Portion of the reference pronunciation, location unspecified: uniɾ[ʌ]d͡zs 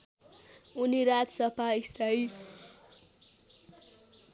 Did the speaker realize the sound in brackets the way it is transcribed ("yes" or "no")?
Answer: no